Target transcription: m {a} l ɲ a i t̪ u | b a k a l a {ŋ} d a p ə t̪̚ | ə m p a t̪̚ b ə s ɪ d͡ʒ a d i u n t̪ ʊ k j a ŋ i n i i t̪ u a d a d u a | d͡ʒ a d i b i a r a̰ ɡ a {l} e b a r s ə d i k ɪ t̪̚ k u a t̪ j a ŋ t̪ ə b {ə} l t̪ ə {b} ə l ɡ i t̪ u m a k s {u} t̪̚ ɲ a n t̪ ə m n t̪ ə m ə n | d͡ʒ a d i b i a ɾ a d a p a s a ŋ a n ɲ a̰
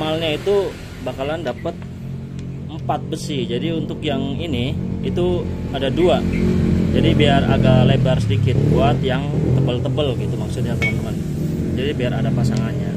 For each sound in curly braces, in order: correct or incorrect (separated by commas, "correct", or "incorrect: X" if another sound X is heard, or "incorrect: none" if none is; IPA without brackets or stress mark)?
correct, incorrect: n, correct, correct, correct, incorrect: ʊ